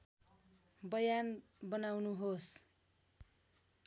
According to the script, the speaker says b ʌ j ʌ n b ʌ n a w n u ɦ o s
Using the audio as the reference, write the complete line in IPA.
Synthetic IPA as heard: b ʌ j a n b ʌ n a w n u ɦ o s